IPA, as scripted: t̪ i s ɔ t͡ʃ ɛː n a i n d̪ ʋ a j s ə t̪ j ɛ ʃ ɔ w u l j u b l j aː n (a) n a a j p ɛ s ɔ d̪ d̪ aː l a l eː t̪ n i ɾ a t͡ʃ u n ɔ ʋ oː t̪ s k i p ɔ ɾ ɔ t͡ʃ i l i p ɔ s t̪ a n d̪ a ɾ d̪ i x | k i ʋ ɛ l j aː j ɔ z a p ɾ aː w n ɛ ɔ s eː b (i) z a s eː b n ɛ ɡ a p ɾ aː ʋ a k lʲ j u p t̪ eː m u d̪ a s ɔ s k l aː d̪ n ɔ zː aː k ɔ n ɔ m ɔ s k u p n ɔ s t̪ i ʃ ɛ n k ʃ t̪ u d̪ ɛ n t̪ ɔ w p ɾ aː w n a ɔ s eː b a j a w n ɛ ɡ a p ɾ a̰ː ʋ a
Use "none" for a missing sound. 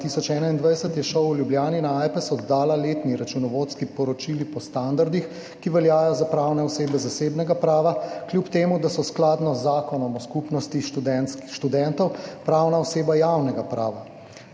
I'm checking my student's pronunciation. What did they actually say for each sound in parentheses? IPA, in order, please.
i, ɛ

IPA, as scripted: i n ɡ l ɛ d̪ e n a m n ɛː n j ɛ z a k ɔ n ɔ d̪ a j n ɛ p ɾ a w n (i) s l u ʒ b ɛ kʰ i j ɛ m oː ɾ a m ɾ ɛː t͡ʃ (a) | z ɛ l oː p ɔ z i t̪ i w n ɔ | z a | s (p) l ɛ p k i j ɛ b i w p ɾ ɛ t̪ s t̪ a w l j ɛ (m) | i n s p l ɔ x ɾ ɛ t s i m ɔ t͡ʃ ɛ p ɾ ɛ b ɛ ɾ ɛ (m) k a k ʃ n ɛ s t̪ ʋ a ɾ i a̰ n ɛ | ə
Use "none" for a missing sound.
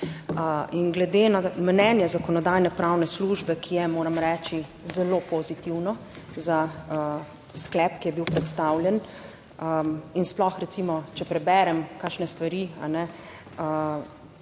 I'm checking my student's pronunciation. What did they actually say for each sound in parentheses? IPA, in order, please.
ɛ, i, k, n, m

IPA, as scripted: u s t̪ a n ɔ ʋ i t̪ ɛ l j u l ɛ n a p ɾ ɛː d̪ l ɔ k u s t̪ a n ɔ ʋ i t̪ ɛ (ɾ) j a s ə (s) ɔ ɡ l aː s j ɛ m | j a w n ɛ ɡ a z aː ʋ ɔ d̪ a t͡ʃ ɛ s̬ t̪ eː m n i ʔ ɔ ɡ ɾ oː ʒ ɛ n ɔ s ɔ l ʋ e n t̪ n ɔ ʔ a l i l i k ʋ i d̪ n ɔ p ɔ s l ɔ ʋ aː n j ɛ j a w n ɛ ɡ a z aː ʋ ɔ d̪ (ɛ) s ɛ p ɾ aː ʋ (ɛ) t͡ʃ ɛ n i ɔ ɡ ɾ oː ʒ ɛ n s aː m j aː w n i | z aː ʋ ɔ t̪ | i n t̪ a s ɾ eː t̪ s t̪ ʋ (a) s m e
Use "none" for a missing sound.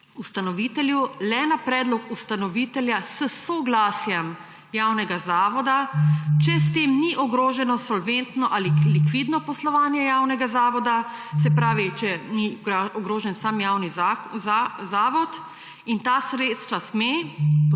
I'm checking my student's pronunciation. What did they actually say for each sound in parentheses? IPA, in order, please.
l, s, a, i, a

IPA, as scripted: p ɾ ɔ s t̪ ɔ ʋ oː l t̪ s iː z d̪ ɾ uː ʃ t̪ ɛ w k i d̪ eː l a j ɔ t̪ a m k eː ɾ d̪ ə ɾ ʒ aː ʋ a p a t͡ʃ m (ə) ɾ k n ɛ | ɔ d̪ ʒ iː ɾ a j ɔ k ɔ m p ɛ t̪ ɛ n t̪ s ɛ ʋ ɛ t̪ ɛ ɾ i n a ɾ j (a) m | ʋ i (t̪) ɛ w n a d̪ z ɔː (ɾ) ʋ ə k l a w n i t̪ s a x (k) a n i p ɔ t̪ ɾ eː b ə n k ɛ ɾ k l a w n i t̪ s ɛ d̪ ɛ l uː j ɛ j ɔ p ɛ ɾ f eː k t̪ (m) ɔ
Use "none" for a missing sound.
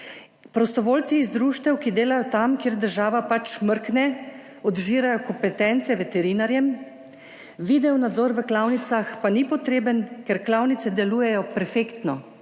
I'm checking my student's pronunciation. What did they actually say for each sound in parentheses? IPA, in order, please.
ə, ɛ, d̪, ɾ, p, n

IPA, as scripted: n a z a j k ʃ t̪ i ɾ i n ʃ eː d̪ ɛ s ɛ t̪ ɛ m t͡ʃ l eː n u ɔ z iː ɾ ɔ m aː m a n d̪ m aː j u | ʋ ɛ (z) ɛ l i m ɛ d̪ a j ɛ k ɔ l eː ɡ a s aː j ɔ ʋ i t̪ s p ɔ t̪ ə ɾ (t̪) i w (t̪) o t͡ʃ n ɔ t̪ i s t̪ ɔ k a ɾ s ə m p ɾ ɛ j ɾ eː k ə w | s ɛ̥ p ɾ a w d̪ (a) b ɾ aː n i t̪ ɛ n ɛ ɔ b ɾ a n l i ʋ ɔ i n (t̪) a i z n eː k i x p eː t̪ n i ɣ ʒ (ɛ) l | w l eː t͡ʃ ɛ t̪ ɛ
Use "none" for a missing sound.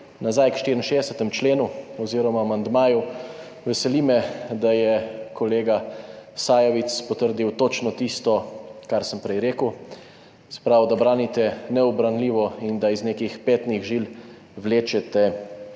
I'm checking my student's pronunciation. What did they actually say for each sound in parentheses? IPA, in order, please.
s, d̪, t̪, a, d̪, i

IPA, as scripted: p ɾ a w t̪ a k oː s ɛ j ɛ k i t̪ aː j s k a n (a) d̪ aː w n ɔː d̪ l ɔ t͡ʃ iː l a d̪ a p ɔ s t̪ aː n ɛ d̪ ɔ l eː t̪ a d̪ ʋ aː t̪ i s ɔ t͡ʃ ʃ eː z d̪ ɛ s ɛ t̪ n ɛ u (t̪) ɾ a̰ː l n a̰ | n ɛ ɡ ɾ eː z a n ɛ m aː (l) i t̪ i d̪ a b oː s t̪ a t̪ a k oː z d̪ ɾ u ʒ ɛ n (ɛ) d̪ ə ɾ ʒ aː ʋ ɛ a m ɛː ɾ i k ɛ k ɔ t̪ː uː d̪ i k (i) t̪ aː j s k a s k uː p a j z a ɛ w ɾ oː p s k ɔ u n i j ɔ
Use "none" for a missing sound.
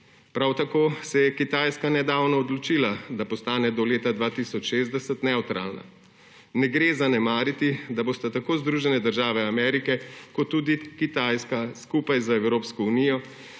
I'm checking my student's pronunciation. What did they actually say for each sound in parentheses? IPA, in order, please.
ɛ, t̪, ɾ, ɛ, i

